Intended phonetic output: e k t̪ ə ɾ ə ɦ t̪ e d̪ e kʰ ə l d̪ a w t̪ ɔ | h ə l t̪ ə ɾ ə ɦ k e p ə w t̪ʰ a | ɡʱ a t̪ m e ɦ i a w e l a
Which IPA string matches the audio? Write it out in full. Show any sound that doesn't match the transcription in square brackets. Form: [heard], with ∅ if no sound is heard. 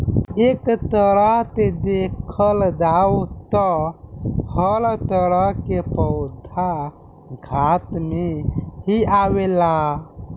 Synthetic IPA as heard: e k t̪ ə ɾ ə ɦ t̪ e d̪ e kʰ ə l d̪ a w t̪ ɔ | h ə l t̪ ə ɾ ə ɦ k e p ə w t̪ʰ a | ɡʱ a t̪ m e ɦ i a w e l a

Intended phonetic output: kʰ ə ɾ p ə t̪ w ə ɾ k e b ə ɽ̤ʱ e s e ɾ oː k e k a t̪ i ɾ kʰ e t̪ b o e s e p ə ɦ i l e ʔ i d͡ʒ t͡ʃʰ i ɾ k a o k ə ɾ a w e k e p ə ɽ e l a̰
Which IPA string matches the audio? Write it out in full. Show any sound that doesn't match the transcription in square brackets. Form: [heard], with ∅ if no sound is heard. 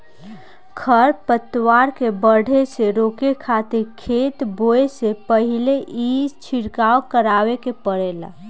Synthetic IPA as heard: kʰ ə ɾ p ə t̪ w [a] ɾ k e b ə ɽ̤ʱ e s e ɾ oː k e [kʰ] a t̪ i ɾ kʰ e t̪ b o e s e p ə ɦ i l e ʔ i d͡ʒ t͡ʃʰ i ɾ k a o k ə ɾ a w e k e p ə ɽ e l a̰

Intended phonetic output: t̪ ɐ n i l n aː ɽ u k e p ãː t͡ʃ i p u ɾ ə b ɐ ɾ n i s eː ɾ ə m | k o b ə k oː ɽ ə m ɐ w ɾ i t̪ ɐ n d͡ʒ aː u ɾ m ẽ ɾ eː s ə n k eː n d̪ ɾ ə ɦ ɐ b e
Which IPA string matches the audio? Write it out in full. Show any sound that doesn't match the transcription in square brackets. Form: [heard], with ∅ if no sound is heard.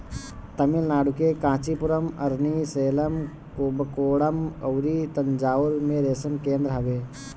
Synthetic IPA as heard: t̪ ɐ [m] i l n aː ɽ u k e [k] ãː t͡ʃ i p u ɾ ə [m] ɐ ɾ n i s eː [l] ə m | k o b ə k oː ɽ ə m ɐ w ɾ i t̪ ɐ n d͡ʒ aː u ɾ m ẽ ɾ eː s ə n k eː n d̪ ɾ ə ɦ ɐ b e

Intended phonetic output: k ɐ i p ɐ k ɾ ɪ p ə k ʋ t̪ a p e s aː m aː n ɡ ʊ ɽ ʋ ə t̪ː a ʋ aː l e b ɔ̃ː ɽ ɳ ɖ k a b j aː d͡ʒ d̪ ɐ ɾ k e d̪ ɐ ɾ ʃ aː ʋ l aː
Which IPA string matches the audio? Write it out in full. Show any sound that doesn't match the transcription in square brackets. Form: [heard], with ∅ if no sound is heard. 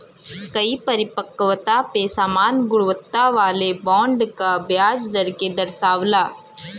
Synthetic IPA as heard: k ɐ i p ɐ [∅] ɾ ɪ p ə k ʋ t̪ a p e s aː m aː n ɡ ʊ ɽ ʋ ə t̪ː a ʋ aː l e b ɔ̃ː [∅] ɳ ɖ k a b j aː d͡ʒ d̪ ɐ ɾ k e d̪ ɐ ɾ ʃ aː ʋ l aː

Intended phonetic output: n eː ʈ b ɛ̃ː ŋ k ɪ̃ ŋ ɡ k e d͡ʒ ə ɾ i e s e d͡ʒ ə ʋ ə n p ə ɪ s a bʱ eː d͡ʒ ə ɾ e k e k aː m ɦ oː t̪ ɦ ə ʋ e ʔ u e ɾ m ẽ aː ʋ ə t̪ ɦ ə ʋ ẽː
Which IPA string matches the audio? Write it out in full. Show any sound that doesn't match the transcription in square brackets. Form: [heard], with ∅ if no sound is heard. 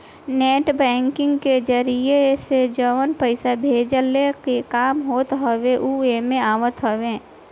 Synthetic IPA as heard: n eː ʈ b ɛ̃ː ŋ k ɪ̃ ŋ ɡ k e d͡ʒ ə ɾ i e s e d͡ʒ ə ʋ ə n p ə ɪ s a bʱ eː d͡ʒ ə [l] e k e k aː m ɦ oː t̪ ɦ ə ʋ e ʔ u e [∅] m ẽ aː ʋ ə t̪ ɦ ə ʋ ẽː

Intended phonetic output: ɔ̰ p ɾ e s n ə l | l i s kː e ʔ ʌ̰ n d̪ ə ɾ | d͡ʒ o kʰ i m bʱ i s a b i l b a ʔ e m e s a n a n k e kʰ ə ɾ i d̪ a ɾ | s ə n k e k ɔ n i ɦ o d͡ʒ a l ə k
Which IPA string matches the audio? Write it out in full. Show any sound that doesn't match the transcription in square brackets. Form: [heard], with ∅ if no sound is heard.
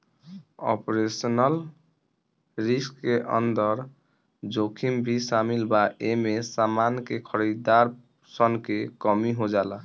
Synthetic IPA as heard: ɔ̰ p ɾ e s n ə l | [ɾ] i s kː e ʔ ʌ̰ n d̪ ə ɾ | d͡ʒ o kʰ i m bʱ i s a [m] i l b a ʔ e m e s a [m] a n k e kʰ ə ɾ i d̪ a ɾ | s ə n k e k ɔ [m] i ɦ o d͡ʒ a l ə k

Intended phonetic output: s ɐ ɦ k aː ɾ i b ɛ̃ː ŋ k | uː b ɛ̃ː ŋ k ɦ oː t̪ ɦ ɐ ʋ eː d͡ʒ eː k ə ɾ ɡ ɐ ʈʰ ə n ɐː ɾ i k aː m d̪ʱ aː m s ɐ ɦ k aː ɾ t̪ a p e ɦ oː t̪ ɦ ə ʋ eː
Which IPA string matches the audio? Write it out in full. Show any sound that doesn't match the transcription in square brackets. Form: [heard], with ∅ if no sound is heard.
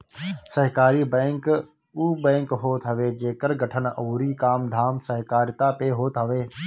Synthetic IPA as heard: s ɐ ɦ k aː ɾ i b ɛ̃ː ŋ k | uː b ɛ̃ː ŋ k ɦ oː t̪ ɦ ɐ ʋ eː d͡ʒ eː k ə ɾ ɡ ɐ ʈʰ ə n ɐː ɾ i k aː m d̪ʱ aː m s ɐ ɦ k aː ɾ t̪ a p e ɦ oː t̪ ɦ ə ʋ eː

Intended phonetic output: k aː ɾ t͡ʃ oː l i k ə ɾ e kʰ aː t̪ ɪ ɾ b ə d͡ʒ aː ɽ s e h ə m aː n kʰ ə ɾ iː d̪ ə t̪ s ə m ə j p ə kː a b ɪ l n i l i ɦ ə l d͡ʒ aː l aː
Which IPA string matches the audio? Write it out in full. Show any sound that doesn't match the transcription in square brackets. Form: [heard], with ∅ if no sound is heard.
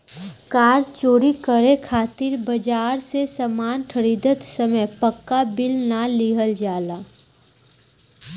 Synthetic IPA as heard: k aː ɾ t͡ʃ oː [ɾ] i k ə ɾ e kʰ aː t̪ ɪ ɾ b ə d͡ʒ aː [ɾ] s e [s] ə m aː n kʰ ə ɾ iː d̪ ə t̪ s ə m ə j p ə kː a b ɪ l n [a] l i ɦ ə l d͡ʒ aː l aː

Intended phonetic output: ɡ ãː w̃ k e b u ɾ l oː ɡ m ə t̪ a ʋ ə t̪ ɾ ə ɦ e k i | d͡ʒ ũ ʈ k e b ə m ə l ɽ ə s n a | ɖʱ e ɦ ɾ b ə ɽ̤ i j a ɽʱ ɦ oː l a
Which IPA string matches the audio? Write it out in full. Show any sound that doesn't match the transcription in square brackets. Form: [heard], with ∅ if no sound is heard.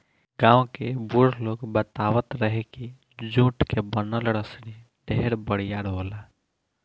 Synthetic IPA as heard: ɡ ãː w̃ k e b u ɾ l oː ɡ [b] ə t̪ a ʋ ə t̪ ɾ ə ɦ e k i | d͡ʒ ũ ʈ k e b ə [n] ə l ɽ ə s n [i] | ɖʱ e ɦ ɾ b ə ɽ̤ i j a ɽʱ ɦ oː l a

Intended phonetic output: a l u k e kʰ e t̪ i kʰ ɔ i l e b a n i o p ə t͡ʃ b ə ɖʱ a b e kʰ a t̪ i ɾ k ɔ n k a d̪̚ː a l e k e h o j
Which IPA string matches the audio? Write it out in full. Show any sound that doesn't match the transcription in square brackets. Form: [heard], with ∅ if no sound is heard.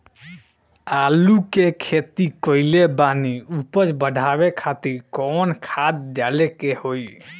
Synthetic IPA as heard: a l u k e kʰ e t̪ i [k] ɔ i l e b a n i [u] p ə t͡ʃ b ə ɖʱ a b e kʰ a t̪ i ɾ k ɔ n [kʰ] a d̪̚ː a l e k e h o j

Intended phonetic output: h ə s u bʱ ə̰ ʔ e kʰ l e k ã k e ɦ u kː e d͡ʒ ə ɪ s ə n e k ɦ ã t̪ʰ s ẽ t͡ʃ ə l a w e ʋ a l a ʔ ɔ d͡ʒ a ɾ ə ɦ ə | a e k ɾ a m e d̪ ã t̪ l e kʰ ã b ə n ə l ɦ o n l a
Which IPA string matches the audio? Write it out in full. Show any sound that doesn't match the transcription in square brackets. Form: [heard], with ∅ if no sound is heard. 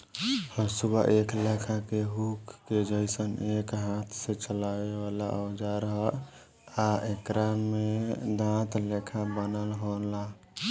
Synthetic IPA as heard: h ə s u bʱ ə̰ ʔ e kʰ l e [kʰ] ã k e ɦ u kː e d͡ʒ ə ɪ s ə n e k ɦ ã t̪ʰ s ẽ t͡ʃ ə l a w e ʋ a l a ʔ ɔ d͡ʒ a ɾ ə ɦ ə | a e k ɾ a m e d̪ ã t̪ l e kʰ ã b ə n ə l ɦ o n l a

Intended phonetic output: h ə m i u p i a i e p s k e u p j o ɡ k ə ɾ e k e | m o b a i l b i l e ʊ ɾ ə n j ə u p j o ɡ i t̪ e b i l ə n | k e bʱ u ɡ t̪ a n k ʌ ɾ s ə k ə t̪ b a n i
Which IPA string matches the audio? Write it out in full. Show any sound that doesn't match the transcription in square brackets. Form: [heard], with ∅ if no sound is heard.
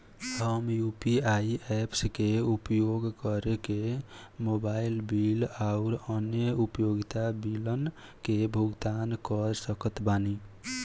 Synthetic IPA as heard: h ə m [j] u p i a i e p s k e u p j o ɡ k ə ɾ e k e | m o b a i l b i l [a] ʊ ɾ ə n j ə u p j o ɡ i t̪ [a] b i l ə n | k e bʱ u ɡ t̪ a n k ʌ ɾ s ə k ə t̪ b a n i

